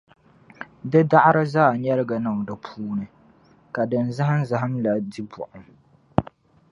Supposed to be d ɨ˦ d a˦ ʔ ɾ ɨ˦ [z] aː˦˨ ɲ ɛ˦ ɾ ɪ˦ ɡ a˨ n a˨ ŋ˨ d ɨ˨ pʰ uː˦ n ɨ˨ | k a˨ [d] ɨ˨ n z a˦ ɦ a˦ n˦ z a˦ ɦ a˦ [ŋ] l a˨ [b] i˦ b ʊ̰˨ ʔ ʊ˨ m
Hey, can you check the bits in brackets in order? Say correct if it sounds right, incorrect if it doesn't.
correct, correct, incorrect: m, incorrect: d

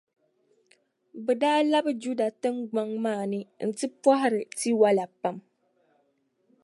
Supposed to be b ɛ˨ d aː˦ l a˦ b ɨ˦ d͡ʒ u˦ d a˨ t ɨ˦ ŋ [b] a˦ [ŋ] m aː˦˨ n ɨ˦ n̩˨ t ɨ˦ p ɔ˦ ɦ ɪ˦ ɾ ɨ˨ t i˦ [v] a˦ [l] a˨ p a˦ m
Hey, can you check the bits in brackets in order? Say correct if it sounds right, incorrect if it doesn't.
incorrect: ɡ͡b, correct, incorrect: w, correct

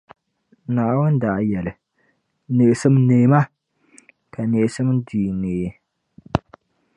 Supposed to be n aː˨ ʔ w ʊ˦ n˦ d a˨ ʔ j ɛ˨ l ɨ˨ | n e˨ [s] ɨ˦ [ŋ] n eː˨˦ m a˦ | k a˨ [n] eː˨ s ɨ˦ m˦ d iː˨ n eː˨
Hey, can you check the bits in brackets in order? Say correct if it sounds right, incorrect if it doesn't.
correct, incorrect: m, correct

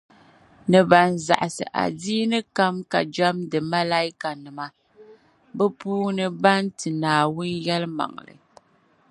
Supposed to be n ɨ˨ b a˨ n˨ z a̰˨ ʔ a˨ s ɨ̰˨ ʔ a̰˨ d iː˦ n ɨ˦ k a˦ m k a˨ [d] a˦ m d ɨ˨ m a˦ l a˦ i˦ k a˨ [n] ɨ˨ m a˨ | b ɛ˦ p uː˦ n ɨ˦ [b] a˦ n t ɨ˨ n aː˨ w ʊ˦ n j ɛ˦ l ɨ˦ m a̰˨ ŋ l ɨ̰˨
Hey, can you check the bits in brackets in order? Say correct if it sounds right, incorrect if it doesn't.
incorrect: d͡ʒ, correct, correct

